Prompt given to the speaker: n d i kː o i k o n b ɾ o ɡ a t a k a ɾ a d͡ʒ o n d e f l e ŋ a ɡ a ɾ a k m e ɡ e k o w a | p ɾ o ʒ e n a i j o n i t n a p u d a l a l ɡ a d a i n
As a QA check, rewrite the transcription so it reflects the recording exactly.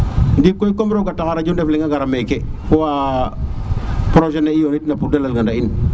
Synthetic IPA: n d i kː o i k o m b ɾ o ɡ a t a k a ɾ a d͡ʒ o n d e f l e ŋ a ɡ a ɾ a m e k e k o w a | p ɾ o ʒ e n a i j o n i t n a p u d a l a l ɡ a d a i n